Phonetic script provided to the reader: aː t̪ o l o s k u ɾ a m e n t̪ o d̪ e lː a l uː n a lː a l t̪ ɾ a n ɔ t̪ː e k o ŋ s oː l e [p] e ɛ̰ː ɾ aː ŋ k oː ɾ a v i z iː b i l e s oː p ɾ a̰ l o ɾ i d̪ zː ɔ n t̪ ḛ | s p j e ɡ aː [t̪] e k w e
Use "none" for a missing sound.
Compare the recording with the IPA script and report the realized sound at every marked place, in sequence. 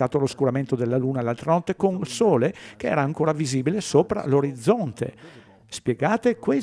k, t̪

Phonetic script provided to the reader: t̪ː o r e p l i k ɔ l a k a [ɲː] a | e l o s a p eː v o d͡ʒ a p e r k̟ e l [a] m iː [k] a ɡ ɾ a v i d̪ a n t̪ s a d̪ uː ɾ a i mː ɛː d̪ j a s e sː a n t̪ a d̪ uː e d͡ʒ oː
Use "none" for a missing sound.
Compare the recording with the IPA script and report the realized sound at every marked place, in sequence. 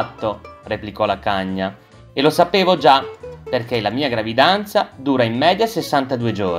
ɲː, a, none

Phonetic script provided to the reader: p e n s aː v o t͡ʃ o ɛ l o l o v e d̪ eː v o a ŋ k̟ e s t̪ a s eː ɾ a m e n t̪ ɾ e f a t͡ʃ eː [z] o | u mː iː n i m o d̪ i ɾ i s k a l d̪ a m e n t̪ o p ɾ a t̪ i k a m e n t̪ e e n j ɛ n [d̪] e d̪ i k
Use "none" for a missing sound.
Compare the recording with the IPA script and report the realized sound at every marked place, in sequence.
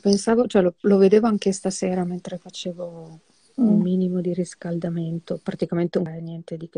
v, t̪

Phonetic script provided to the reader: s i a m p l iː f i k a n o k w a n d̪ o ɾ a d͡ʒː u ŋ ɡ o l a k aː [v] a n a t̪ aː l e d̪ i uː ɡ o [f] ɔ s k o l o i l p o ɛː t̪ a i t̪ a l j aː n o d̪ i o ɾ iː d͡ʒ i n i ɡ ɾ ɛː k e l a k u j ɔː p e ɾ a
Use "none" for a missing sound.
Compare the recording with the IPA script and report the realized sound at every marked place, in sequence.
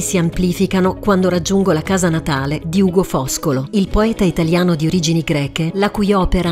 z, f

